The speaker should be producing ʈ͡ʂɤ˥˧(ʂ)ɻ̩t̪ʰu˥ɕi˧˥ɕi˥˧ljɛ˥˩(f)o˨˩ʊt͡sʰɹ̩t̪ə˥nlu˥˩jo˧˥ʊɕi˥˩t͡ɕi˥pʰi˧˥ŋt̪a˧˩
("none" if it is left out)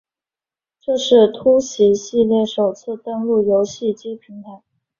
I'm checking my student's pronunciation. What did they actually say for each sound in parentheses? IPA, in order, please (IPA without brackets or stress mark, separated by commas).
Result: ʂ, ʂ